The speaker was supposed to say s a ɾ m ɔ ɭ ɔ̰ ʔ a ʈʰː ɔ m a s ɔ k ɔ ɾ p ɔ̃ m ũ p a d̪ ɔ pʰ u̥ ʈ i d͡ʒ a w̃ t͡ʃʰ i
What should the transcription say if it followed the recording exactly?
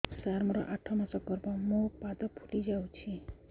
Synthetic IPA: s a ɾ m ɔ ɾ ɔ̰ ʔ a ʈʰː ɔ m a s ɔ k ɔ ɾ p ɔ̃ m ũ p a d̪ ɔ pʰ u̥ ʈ i d͡ʒ a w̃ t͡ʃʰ i